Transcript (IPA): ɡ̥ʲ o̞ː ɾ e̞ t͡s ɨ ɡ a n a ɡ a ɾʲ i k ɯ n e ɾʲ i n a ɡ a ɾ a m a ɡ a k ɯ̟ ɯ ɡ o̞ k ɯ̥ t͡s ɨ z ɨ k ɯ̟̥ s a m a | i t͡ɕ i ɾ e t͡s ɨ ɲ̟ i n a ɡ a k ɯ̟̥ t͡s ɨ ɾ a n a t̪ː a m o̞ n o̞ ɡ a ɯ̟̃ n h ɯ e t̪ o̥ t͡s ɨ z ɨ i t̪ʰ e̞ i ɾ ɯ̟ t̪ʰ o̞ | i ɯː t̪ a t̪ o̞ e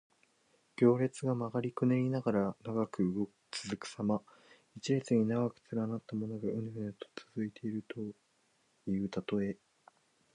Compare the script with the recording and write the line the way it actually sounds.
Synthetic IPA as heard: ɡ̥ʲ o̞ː ɾ e̞ t͡s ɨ ɡ a m a ɡ a ɾʲ i k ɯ n e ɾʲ i n a ɡ a ɾ a n a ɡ a k ɯ̟ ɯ ɡ o̞ k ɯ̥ t͡s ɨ z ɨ k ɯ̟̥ s a m a | i t͡ɕ i ɾ e t͡s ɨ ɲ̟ i n a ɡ a k ɯ̟̥ t͡s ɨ ɾ a n a t̪ː a m o̞ n o̞ ɡ a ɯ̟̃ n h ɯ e t̪ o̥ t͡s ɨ z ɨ i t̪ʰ e̞ i ɾ ɯ̟ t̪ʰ o̞ | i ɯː t̪ a t̪ o̞ e